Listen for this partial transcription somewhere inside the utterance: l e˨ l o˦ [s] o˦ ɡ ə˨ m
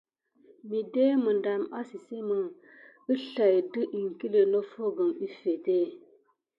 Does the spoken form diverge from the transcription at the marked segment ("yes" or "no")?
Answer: yes